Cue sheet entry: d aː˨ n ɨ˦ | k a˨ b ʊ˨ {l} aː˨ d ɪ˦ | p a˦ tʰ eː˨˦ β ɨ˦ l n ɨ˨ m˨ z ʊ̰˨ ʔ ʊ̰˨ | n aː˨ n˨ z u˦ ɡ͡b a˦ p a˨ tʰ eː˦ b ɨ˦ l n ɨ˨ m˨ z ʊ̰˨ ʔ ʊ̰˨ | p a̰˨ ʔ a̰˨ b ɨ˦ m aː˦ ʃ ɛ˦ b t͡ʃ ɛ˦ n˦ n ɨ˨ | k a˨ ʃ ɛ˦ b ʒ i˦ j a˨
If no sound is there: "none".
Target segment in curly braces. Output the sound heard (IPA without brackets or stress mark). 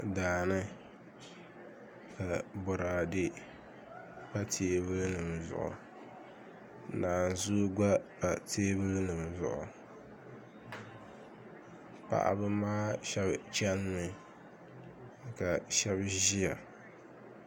ɾ